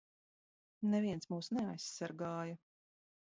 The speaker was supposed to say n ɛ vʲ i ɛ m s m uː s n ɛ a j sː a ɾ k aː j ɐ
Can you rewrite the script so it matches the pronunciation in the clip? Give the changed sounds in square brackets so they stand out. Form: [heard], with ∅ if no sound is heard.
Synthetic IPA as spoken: n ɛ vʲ i ɛ [n] s m uː s n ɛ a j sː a ɾ [ɡ] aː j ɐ